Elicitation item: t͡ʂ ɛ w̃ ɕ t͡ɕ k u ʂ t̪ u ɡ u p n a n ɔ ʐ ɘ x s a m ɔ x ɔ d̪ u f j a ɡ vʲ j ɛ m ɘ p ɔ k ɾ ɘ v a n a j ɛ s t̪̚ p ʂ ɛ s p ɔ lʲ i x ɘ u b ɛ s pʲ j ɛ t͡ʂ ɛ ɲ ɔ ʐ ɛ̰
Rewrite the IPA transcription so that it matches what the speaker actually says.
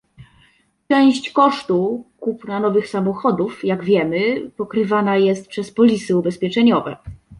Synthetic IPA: t͡ʂ ɛ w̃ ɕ t͡ɕ k ɔ ʂ t̪ u k u p n a n ɔ v ɘ x s a m ɔ x ɔ d̪ u f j a ɡ vʲ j ɛ m ɘ p ɔ k ɾ ɘ v a n a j ɛ s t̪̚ p ʂ ɛ s p ɔ lʲ i s ɘ u b ɛ s pʲ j ɛ t͡ʂ ɛ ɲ ɔ v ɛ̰